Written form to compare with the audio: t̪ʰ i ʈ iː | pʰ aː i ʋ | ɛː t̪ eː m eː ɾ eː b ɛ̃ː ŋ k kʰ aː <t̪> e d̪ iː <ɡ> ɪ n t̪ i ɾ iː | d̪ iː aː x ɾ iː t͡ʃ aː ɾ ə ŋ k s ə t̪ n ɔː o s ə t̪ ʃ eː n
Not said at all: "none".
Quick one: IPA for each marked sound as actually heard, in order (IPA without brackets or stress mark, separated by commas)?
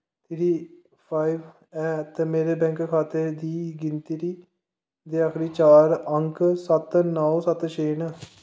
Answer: t̪, ɡ